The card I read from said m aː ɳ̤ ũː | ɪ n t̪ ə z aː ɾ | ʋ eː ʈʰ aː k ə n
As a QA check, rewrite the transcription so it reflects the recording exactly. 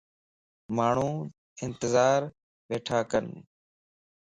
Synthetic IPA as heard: m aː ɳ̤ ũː | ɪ n t̪ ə z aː ɾ | ʋ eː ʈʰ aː k ə n